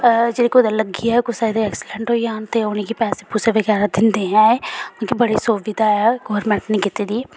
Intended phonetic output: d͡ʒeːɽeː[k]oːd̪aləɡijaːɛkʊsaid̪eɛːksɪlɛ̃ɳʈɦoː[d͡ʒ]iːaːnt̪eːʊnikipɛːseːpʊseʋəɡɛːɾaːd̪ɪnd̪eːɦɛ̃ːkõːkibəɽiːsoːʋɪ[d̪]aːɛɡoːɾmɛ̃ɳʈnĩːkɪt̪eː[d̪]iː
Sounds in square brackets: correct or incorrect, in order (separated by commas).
correct, incorrect, correct, correct